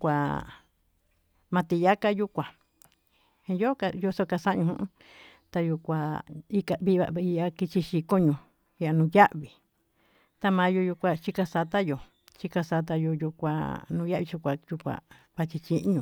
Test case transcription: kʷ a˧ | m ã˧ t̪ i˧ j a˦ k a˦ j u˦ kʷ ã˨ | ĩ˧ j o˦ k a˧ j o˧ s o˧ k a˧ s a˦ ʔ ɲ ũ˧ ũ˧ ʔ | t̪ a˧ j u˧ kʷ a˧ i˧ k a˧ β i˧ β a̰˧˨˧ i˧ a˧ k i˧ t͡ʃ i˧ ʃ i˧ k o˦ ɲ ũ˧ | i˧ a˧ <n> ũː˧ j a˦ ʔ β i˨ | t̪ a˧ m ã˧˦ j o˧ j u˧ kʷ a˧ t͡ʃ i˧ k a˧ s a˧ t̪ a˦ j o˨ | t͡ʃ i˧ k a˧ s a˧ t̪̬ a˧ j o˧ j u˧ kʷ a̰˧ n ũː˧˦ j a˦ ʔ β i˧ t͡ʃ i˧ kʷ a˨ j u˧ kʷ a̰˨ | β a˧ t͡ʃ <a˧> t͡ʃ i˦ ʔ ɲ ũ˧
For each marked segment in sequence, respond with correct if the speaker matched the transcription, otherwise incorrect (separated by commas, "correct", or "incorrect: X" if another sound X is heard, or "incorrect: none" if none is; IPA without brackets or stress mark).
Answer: correct, incorrect: i˧